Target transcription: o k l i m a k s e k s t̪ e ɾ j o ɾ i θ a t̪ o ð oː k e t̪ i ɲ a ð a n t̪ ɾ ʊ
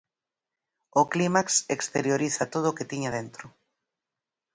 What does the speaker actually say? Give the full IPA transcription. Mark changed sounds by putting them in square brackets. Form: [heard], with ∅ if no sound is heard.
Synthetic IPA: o k l i m a k s e k s t̪ e ɾ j o ɾ i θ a t̪ o ð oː k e t̪ i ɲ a ð [e] n t̪ ɾ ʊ